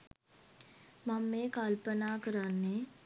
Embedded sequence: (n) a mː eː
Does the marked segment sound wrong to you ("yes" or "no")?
yes